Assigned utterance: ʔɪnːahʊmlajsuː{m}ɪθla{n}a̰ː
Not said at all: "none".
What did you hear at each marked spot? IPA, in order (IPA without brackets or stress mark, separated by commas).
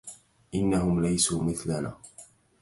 m, n